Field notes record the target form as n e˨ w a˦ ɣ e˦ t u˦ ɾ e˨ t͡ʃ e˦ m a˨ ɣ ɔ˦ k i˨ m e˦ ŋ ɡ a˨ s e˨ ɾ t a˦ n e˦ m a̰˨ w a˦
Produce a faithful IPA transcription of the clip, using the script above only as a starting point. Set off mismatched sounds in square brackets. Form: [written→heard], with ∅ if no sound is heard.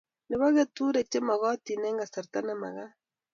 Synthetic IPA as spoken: n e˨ [w→β] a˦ ɣ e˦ t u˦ ɾ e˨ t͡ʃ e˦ m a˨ ɣ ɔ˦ [k→t] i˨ [m→n] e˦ ŋ ɡ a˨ s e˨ ɾ t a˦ n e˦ m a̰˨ [w→ɣ] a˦